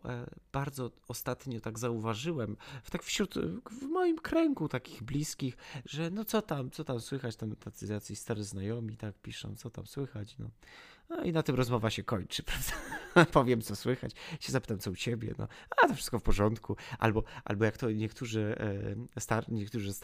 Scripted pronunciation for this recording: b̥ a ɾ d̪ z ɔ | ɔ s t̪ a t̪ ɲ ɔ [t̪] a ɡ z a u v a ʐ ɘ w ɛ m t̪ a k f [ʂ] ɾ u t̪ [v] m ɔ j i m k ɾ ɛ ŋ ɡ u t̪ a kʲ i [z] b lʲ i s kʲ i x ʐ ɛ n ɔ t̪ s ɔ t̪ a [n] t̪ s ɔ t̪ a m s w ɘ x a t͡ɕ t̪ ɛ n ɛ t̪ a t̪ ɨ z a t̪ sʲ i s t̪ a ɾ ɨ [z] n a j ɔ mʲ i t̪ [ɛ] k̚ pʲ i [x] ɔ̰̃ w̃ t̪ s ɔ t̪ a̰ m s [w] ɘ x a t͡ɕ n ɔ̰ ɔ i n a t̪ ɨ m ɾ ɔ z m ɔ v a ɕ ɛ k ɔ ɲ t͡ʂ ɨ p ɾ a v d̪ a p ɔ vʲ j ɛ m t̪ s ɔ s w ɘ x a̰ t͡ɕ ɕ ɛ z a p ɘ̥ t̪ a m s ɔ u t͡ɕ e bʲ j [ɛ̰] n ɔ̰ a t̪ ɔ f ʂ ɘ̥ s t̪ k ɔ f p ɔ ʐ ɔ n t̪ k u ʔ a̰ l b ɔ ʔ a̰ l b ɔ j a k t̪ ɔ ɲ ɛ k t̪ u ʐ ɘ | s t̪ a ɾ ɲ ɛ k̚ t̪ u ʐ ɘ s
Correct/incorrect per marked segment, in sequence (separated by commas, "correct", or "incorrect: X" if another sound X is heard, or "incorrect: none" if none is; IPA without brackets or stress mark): correct, incorrect: ɕ, correct, incorrect: ɣ, incorrect: m, correct, incorrect: a, incorrect: ʂ, correct, correct